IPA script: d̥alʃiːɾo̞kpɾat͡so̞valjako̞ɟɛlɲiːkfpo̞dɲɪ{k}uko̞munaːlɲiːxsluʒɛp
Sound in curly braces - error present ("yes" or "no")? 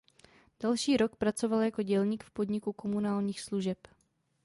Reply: no